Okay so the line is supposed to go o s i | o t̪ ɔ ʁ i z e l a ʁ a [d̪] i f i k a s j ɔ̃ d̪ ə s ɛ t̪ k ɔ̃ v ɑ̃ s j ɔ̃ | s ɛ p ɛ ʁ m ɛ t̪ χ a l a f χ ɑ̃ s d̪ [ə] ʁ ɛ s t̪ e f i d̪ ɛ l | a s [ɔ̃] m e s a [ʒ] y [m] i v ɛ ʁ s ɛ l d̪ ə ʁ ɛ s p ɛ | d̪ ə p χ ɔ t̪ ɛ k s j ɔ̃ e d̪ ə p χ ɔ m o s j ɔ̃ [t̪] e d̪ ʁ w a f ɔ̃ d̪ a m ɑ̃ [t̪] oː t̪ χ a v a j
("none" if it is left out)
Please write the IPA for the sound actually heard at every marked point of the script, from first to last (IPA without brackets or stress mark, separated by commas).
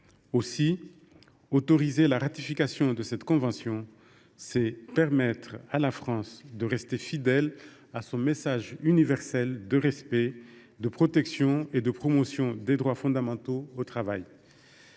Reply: t̪, ə, ɔ̃, ʒ, n, d̪, t̪